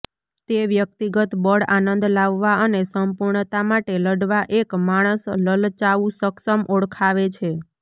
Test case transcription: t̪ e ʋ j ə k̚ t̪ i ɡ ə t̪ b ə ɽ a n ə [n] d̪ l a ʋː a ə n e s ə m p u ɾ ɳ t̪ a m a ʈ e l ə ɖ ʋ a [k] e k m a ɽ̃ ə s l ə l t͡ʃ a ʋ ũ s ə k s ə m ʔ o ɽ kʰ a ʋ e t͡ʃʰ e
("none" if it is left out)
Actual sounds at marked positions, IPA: n, ʔ

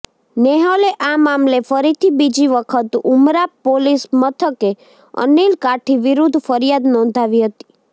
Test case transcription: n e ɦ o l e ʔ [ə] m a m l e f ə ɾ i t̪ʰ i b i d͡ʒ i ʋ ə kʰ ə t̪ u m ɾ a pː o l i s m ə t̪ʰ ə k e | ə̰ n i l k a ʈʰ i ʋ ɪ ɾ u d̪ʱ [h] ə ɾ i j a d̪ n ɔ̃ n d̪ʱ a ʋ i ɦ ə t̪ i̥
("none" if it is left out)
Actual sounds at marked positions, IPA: a, f

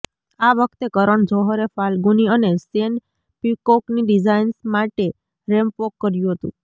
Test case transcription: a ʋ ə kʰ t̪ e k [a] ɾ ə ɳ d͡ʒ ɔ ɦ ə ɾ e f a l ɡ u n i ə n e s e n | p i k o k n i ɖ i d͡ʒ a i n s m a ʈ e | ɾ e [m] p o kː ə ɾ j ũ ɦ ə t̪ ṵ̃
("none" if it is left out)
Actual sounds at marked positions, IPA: ə, m

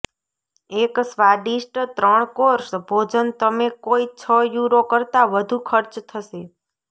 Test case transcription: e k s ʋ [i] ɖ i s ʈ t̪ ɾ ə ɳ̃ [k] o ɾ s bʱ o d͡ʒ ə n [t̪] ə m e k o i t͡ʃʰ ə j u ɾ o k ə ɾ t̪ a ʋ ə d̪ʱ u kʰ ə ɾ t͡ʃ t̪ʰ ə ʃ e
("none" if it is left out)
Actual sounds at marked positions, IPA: a, k, t̪

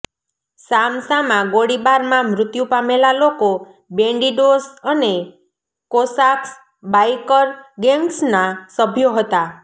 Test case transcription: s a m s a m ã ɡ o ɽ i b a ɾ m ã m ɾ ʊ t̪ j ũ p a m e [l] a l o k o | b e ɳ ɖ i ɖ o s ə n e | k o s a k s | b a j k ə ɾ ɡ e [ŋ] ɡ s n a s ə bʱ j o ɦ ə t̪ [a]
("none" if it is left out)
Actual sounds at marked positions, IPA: l, ŋ, a

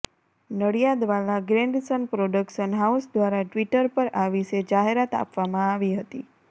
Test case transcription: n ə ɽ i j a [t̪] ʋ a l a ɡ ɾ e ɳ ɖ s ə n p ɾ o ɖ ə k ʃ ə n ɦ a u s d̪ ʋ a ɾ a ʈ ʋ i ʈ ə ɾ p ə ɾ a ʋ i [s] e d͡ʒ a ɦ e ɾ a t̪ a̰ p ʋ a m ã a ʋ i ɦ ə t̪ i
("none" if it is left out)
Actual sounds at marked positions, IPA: d̪, ʃ

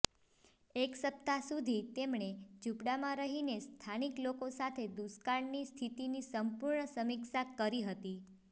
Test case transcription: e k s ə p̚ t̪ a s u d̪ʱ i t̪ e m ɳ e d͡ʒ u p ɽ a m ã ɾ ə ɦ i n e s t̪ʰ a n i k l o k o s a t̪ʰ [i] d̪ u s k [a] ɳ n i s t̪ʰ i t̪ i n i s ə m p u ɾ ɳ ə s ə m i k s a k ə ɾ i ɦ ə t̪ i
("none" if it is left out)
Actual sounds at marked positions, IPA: e, a

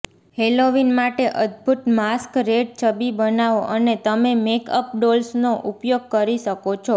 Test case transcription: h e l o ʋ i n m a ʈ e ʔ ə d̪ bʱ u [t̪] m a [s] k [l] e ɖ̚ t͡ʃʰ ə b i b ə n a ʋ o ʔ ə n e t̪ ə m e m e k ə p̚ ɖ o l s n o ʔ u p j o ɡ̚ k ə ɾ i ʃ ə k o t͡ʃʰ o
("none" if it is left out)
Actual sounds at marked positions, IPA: t̪, s, ɾ

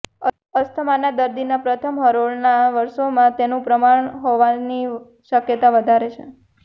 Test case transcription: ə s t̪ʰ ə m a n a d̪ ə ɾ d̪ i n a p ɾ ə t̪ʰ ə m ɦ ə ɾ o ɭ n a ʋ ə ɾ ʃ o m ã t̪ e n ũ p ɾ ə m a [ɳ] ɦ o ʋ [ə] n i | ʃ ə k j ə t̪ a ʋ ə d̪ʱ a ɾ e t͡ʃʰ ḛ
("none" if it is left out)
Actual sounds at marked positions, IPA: ɳ, a

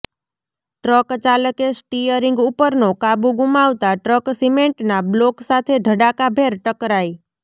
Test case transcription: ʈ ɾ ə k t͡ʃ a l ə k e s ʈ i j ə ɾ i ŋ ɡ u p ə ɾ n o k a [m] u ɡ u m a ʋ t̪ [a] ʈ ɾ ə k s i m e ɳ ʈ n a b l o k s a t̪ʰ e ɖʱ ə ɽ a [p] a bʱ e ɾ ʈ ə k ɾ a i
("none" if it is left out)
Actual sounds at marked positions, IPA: b, a, k

